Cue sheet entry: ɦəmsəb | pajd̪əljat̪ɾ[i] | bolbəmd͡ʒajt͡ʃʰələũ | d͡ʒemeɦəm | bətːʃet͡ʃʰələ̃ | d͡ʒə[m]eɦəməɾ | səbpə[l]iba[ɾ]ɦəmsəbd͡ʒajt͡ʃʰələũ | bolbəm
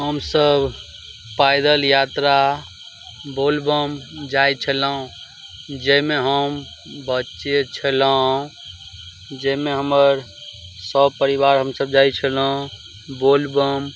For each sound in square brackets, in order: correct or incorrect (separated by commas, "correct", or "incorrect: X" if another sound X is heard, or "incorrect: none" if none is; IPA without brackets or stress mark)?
incorrect: a, correct, incorrect: ɾ, correct